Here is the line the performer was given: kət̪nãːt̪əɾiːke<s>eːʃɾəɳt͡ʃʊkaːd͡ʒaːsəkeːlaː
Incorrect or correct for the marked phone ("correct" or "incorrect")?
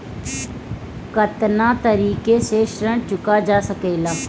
correct